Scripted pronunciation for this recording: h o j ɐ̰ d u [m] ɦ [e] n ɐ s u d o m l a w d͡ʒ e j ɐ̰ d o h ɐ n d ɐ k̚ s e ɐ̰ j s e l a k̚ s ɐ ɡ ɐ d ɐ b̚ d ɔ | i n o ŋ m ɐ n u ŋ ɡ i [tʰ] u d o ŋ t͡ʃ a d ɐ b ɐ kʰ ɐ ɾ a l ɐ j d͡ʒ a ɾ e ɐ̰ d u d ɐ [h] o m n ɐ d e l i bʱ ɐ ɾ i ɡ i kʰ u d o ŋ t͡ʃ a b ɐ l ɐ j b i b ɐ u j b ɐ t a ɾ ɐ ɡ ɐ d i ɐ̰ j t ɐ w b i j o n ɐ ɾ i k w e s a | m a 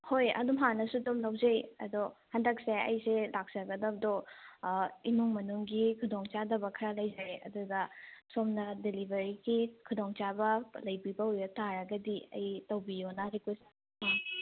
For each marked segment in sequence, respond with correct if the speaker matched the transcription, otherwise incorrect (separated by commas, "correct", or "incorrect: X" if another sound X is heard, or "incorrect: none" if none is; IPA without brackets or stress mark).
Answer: correct, incorrect: a, incorrect: kʰ, incorrect: s